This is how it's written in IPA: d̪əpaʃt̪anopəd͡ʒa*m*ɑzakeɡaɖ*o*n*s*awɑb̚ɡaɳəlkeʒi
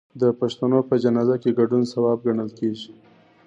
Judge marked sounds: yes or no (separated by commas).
no, no, yes